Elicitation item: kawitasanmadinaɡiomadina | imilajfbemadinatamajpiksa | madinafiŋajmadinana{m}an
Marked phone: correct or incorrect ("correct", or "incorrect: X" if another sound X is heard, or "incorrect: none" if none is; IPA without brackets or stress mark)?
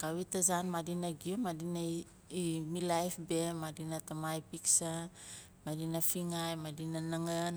incorrect: ŋ